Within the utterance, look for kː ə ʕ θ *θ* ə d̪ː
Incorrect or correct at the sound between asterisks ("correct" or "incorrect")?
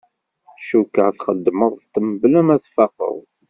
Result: incorrect